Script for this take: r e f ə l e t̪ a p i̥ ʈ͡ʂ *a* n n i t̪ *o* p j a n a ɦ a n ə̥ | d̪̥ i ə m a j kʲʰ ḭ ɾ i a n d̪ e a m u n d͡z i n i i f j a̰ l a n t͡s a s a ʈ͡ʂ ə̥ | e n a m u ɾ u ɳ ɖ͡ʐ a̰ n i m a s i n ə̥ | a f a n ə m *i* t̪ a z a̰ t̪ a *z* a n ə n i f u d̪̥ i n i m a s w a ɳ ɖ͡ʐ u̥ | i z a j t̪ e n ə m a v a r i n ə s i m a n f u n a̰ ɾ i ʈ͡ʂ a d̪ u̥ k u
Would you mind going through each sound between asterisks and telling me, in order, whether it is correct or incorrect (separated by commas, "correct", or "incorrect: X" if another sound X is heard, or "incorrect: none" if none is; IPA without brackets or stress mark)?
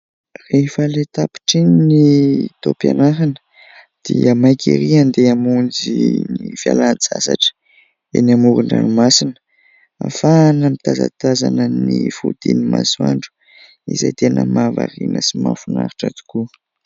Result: incorrect: i, correct, correct, correct